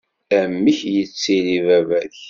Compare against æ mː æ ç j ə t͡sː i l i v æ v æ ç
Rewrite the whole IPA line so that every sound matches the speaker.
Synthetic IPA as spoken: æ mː i ç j ə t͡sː i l i v æ v æ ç